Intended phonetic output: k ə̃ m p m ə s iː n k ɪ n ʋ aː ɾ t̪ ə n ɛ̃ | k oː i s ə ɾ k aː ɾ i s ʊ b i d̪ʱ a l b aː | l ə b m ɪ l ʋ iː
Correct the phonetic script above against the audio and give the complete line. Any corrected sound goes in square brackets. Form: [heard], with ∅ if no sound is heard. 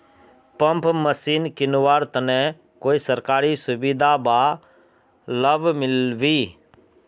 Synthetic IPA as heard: [p] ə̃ m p m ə s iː n k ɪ n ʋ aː ɾ t̪ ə n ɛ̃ | k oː i s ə ɾ k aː ɾ i s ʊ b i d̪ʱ a [∅] b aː | l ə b m ɪ l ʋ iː